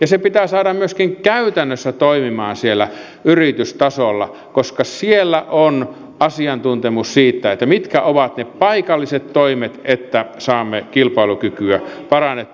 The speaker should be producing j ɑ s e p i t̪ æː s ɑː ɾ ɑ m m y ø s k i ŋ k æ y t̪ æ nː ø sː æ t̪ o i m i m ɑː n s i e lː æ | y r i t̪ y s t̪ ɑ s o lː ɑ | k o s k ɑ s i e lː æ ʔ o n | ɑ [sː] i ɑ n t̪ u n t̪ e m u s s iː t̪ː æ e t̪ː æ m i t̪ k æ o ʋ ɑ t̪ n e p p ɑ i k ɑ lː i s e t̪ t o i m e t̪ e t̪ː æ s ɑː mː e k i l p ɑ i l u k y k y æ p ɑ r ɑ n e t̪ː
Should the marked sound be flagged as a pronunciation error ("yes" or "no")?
yes